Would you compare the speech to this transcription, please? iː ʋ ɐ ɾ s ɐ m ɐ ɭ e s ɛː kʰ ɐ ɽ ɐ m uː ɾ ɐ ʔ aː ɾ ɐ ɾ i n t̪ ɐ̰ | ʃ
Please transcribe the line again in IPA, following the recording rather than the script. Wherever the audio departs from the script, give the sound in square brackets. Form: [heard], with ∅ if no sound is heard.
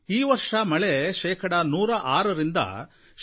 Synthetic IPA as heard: iː ʋ ɐ ɾ [ʂ] ɐ m ɐ ɭ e [ʃ] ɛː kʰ ɐ ɽ ɐ [n] uː ɾ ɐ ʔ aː ɾ ɐ ɾ i n [d̪] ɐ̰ | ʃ